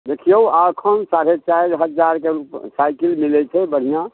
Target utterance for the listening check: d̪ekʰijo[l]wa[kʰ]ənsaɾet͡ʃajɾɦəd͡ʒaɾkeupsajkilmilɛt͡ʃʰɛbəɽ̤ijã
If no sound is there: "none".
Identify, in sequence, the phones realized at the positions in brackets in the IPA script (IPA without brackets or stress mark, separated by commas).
none, kʰ